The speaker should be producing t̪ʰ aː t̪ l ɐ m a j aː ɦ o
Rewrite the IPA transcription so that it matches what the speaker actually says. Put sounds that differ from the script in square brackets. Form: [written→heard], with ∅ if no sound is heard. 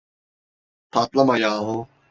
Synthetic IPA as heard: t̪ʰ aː t̪ l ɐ m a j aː ɦ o